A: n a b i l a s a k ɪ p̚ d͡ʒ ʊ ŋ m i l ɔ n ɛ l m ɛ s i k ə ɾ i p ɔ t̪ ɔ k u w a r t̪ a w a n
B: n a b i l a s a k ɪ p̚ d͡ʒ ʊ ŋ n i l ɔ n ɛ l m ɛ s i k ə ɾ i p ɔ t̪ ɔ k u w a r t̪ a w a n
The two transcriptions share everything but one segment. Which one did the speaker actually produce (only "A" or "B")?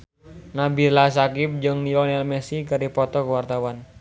B